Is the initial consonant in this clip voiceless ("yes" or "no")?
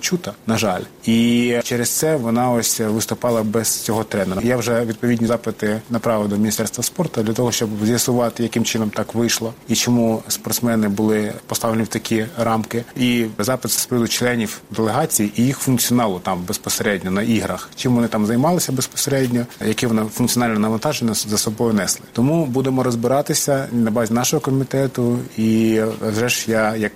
yes